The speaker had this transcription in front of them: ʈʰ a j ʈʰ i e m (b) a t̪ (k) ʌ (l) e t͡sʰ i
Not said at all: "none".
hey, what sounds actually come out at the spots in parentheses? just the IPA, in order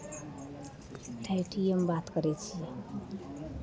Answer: b, k, ɾ

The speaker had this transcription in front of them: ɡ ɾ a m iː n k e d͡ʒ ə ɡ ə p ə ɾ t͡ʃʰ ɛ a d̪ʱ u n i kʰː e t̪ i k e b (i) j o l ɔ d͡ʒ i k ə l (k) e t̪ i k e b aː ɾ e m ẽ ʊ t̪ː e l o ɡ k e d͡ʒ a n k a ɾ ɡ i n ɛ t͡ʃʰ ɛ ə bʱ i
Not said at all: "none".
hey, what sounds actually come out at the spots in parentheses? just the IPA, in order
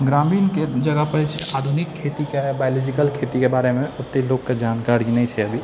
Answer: a, kʰ

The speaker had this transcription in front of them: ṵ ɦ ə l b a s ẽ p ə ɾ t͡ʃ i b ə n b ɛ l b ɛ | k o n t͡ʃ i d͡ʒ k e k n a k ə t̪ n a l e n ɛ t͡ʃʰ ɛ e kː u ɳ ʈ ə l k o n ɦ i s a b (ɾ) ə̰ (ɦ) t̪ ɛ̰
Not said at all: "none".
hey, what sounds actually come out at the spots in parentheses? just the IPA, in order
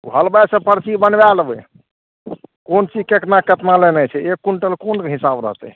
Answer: ɾ, ɦ

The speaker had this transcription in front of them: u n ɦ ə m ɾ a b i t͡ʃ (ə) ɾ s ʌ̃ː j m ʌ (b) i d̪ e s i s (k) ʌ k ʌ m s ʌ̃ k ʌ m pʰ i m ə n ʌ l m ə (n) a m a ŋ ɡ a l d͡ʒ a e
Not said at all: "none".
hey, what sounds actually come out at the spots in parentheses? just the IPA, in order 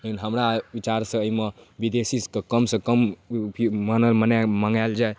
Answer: a, b, k, n

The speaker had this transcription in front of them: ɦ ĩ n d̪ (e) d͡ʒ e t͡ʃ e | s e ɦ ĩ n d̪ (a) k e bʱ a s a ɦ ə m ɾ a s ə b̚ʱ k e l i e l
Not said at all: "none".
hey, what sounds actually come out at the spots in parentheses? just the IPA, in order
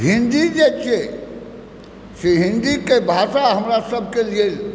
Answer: i, i

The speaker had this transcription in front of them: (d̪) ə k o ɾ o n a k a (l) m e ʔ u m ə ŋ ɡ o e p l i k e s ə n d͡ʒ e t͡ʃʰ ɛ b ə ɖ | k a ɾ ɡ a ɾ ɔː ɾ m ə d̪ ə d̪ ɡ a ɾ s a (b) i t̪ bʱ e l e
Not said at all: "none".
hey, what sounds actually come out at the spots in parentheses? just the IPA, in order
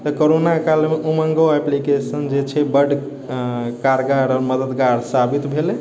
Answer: t̪, l, b

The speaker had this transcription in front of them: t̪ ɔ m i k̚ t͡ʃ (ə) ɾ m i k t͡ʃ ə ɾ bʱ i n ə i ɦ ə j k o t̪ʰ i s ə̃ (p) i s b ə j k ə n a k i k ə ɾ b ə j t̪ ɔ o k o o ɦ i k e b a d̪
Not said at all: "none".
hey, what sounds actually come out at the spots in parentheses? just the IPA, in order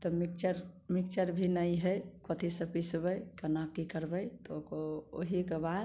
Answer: ə, p

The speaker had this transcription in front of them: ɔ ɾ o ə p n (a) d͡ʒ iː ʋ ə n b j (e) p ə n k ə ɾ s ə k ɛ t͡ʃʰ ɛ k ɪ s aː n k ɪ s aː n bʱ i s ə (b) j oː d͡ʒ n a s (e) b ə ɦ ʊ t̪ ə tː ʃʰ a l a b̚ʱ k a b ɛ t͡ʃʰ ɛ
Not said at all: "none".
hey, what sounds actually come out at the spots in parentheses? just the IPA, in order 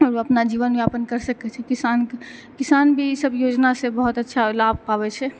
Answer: a, a, b, e

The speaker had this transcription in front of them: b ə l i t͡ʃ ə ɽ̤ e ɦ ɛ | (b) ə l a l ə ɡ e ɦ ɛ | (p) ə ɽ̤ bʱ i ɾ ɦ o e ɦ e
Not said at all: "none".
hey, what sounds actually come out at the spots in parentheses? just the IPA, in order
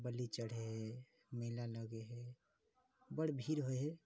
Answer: m, b

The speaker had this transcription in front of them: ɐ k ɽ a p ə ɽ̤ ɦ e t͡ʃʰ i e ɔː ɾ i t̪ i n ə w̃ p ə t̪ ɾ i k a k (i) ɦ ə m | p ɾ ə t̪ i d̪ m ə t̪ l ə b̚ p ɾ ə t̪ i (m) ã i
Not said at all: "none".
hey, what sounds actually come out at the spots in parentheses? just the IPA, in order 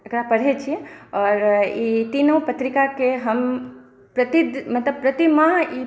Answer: e, m

